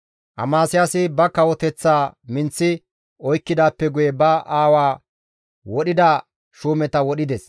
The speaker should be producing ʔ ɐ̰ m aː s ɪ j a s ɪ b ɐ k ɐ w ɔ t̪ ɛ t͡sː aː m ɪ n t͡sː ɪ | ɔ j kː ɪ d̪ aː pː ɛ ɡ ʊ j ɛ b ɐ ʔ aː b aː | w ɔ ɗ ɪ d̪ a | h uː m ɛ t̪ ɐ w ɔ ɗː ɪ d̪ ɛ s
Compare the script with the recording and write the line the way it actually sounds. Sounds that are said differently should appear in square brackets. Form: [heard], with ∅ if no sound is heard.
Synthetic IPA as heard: ʔ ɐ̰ m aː s ɪ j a s ɪ b ɐ k ɐ w ɔ t̪ ɛ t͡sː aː m ɪ n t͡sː ɪ | ɔ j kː ɪ d̪ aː pː ɛ ɡ ʊ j ɛ b ɐ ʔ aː [w] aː | w ɔ ɗ ɪ d̪ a | [ʃ] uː m ɛ t̪ ɐ w ɔ [ɗ] ɪ d̪ ɛ s